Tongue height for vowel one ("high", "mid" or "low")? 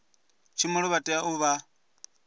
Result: high